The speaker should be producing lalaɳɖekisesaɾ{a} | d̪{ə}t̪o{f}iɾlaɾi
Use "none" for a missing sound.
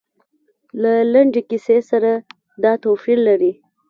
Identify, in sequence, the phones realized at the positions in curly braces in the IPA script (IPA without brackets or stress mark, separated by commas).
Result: a, ɑ, f